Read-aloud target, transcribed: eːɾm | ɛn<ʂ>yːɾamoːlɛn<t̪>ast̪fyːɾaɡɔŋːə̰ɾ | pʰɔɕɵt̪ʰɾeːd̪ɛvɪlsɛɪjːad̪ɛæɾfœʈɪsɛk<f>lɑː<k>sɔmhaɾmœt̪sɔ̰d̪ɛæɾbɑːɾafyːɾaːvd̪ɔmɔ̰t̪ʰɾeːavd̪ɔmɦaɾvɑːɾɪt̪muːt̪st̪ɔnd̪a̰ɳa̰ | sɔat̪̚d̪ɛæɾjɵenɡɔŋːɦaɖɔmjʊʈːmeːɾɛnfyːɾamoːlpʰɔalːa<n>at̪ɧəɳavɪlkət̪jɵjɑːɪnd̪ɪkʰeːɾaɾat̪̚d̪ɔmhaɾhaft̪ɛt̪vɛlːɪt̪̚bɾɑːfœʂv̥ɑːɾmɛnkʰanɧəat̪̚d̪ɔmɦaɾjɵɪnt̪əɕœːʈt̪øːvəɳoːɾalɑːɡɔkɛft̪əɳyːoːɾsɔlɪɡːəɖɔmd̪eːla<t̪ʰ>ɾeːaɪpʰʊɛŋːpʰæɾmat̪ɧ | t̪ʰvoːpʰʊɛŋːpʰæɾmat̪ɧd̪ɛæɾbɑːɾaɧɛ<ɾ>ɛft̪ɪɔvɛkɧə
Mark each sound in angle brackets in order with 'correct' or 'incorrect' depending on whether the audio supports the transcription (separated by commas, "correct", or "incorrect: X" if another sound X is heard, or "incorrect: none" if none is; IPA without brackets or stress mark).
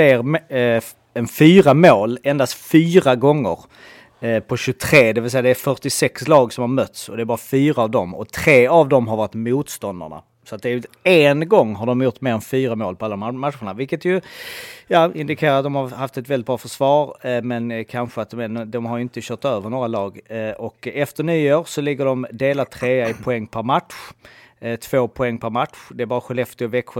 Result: incorrect: f, incorrect: d̪, incorrect: s, incorrect: ɡ, incorrect: m, correct, incorrect: l